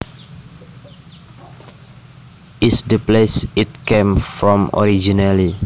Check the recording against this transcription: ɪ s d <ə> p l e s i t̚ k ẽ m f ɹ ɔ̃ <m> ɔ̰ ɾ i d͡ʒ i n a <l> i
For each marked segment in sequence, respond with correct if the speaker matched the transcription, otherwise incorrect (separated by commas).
correct, correct, correct